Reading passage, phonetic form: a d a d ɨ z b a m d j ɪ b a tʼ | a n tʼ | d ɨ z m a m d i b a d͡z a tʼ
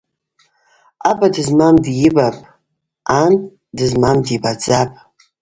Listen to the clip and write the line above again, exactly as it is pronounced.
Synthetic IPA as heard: a b a d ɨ z m a m d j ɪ b a pʼ | a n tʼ | d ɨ z m a m d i b a d͡z a pʼ